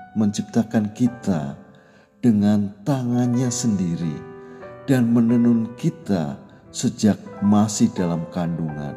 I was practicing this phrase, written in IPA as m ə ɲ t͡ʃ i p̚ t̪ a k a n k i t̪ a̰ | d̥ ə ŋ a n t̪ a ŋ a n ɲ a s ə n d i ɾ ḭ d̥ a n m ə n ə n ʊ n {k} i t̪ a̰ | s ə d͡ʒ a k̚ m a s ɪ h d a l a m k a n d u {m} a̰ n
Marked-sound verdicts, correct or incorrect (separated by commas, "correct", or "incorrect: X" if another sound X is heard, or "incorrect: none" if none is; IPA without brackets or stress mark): correct, incorrect: ŋ